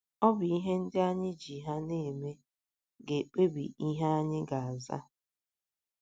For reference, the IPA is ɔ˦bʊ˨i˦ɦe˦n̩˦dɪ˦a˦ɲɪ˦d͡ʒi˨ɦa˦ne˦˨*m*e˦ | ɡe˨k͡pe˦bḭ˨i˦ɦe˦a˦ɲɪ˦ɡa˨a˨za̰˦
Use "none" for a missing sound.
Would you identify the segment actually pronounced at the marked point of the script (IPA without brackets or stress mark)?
m